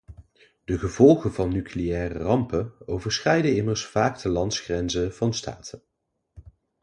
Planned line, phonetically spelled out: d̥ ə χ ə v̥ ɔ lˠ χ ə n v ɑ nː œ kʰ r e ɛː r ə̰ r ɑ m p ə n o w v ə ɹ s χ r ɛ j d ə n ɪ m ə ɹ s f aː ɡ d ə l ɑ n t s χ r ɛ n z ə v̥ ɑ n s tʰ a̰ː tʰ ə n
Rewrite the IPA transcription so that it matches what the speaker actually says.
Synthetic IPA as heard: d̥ ə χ ə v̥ ɔ lˠ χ ə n v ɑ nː y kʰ l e ɛː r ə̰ r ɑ m p ə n o w v ə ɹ s χ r ɛ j d ə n ɪ m ə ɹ s f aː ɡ d ə l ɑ n t s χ r ɛ n z ə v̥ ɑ n s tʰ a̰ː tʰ ə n